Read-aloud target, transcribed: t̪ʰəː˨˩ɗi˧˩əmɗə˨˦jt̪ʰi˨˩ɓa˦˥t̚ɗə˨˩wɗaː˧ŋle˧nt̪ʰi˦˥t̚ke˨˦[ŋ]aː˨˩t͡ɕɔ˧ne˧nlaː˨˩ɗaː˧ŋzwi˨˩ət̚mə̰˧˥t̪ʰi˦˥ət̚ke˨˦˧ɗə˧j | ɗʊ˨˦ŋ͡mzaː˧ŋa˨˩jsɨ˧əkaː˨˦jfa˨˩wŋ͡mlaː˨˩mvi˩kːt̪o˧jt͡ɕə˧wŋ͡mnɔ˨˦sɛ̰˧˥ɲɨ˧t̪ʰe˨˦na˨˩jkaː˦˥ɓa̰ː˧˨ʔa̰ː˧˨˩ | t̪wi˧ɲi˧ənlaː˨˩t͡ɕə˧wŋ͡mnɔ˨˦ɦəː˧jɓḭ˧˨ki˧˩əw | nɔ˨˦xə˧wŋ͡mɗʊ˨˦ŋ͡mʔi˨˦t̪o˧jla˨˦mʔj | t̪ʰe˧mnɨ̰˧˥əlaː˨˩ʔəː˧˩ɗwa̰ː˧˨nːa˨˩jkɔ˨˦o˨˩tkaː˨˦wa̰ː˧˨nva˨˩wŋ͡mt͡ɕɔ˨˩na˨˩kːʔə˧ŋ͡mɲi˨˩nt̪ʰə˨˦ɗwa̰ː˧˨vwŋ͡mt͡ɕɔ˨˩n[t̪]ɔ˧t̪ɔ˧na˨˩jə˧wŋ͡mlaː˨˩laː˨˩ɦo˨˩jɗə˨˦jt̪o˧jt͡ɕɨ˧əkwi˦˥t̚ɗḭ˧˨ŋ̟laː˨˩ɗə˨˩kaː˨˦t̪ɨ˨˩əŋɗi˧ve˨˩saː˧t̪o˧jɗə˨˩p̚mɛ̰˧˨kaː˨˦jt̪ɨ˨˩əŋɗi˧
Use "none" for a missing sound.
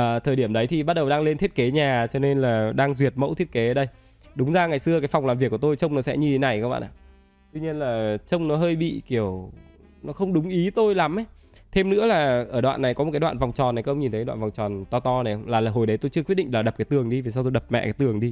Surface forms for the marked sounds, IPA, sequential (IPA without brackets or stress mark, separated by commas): ɲ, t̪